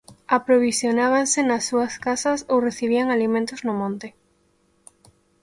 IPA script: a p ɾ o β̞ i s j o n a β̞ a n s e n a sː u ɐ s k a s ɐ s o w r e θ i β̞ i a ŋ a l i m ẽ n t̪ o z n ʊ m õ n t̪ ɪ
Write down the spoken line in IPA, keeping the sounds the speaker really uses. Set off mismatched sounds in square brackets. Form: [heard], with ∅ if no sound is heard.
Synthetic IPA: a p ɾ o β̞ i s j o n a β̞ a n s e n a sː u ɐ s k a s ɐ s o w r e θ i β̞ i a ŋ a l i m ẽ n t̪ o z n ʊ m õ n t̪ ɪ